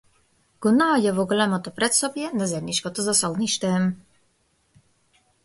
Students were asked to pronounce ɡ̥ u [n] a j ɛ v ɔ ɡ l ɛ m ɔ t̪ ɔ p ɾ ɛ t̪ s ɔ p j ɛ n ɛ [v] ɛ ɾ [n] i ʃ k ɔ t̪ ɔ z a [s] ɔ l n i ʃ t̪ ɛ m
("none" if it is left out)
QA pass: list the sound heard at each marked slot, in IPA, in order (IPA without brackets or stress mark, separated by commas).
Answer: n, z, n, s